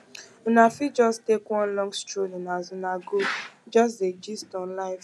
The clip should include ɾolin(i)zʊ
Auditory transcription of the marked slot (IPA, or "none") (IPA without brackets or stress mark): a